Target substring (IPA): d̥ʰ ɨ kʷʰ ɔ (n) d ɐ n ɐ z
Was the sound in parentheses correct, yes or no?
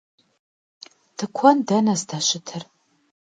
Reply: yes